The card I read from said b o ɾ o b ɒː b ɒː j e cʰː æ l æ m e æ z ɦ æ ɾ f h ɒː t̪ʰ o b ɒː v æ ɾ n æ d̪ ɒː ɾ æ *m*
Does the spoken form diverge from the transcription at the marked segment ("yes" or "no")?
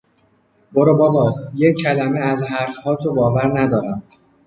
no